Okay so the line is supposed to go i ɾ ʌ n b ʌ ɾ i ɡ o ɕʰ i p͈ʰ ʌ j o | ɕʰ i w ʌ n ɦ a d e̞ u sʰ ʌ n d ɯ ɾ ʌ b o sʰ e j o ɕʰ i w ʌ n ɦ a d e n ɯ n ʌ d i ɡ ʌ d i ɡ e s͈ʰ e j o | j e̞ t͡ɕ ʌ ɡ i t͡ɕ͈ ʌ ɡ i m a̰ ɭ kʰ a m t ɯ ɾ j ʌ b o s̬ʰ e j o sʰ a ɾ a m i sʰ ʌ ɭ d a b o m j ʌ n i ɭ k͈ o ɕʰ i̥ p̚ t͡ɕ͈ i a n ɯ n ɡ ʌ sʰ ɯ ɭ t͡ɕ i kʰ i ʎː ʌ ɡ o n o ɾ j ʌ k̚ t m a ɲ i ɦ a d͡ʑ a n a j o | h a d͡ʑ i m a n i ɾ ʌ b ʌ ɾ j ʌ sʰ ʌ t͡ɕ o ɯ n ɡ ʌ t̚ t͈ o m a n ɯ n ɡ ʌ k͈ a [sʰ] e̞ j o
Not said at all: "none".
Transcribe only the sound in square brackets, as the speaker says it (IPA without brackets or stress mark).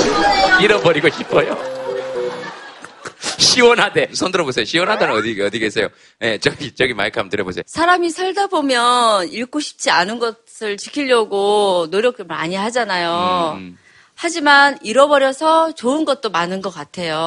tʰ